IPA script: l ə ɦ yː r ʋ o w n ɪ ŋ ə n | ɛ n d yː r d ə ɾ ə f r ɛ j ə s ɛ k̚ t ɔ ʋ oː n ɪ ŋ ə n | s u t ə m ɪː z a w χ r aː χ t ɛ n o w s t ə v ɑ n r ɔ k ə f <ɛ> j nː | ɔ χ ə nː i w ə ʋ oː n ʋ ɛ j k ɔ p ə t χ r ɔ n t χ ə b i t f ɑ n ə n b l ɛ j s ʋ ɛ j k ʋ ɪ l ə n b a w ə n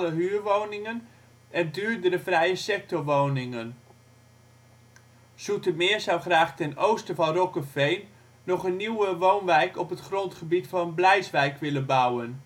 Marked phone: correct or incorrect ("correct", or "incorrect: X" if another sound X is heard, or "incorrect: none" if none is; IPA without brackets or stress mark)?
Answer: incorrect: e